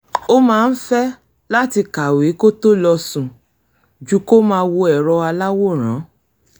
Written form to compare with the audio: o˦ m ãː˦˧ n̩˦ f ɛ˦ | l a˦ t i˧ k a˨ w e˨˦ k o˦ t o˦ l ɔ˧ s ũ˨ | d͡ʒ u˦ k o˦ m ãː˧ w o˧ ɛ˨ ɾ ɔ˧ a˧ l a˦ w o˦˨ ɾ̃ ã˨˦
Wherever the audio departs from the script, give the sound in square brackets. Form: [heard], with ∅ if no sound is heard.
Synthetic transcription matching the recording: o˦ m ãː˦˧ n̩˦ f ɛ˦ | l a˦ t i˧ k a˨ w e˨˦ k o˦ t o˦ l ɔ˧ s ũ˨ | d͡ʒ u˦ k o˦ m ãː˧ w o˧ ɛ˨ ɾ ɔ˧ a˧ l a˦ w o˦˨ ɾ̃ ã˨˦